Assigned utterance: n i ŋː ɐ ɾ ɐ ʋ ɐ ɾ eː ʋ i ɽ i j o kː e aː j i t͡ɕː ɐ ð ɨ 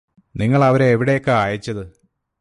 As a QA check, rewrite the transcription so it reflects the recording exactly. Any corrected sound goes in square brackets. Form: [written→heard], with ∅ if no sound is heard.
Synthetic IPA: n i ŋː ɐ [ɾ→ɭ] ɐ ʋ ɐ ɾ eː ʋ i ɽ [i→e] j o kː e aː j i t͡ɕː ɐ ð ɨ